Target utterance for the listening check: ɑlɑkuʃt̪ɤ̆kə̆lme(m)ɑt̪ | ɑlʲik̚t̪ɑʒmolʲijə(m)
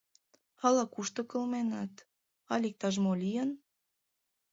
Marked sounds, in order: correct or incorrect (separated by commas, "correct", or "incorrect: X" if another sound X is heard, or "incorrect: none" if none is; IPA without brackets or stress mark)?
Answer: incorrect: n, incorrect: n